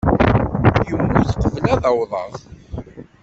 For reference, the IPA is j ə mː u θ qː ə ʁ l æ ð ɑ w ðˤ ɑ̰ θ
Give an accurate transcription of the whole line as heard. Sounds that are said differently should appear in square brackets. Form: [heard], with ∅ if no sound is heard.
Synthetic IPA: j ə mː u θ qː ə [v] l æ ð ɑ w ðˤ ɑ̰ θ

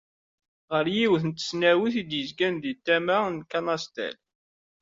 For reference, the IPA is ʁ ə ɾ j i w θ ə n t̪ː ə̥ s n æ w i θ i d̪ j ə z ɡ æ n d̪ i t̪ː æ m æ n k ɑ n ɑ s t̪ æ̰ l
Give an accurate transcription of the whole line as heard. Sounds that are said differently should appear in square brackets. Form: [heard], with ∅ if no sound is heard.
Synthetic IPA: ʁ ə ɾ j i w θ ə n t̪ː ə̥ s n æ w i θ i d̪ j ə z ɡ æ n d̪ i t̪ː æ m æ n k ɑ n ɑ s t̪ æ̰ l

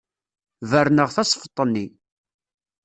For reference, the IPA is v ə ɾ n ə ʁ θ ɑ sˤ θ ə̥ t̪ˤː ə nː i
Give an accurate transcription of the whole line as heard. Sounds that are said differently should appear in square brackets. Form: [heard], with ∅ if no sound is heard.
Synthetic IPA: v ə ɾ n ə ʁ θ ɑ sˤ [f] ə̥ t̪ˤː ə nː i

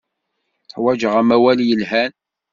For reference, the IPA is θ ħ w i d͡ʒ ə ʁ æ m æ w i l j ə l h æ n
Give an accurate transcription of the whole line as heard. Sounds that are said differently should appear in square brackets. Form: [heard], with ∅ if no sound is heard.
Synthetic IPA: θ ħ w [æ] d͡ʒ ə ʁ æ m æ w [æ] l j ə l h æ n

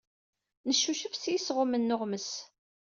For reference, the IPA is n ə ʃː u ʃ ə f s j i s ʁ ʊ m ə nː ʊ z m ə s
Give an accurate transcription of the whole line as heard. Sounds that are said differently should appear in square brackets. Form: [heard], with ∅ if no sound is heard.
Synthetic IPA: n ə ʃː u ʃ ə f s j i s ʁ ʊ m ə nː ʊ [ʁ] m ə s

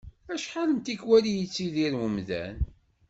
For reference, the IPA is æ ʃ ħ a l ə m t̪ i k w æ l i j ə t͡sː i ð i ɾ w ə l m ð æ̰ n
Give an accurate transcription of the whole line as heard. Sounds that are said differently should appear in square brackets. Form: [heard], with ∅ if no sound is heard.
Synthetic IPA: æ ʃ ħ a l ə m t̪ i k w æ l i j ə t͡sː i ð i ɾ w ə [∅] m ð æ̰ n

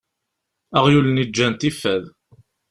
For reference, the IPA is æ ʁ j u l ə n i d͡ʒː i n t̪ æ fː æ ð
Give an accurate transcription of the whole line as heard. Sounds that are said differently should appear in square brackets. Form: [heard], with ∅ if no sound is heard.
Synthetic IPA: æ ʁ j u l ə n i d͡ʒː [æ] n t̪ [i] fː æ ð

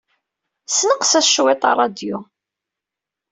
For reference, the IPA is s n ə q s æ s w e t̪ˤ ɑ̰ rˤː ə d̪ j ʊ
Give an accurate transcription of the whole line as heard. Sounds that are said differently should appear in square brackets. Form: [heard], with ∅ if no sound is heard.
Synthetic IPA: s n ə q s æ [ʃ] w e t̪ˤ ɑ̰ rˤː [ɑ] d̪ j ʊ

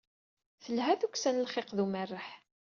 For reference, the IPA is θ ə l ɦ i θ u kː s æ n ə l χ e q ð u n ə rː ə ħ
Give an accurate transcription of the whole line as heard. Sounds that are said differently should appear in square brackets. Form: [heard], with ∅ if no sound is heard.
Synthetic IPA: θ ə l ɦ [æ] θ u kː s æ n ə l χ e q ð u [m] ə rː ə ħ

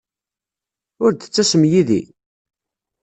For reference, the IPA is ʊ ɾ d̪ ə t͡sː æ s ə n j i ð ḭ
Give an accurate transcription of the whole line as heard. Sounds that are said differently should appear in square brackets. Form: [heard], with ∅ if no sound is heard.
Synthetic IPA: ʊ ɾ d̪ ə t͡sː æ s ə [m] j i ð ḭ

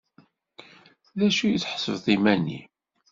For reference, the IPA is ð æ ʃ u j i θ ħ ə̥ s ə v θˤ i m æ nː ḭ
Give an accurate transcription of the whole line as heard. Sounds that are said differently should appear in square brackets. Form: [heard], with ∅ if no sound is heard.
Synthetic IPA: ð æ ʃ u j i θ ħ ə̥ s ə v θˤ i m æ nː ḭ

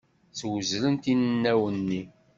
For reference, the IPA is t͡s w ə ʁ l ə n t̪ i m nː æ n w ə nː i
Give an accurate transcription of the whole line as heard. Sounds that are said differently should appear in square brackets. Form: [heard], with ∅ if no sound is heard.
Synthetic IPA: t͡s w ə [z] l ə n t̪ i [n] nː æ [∅] w ə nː i

